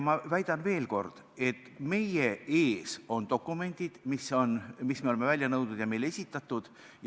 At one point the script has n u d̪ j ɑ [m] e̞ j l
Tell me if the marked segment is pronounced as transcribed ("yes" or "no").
yes